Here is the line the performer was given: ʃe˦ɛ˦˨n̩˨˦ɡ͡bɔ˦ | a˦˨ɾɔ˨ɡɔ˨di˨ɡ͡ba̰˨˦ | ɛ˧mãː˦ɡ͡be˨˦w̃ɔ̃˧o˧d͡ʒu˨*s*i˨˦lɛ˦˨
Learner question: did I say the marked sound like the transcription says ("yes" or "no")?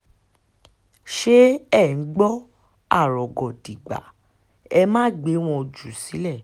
yes